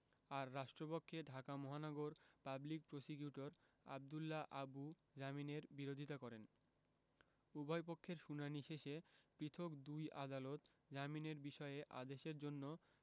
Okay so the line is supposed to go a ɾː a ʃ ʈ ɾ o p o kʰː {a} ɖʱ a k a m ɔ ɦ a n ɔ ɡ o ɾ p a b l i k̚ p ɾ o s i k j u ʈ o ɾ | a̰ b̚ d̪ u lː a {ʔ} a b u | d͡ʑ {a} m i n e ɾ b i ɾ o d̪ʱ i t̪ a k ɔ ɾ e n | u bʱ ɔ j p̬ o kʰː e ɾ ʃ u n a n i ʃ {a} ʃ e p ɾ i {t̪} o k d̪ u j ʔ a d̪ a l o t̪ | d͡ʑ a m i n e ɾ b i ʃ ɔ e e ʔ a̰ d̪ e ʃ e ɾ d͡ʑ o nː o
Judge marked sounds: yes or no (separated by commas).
no, yes, yes, no, no